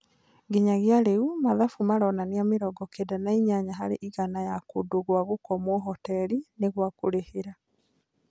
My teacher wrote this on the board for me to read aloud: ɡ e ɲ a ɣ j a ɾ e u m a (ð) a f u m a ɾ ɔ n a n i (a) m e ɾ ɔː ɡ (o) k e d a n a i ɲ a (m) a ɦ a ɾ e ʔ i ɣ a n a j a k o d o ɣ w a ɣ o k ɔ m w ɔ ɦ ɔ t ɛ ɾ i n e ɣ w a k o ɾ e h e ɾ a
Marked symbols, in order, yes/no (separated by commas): yes, yes, no, no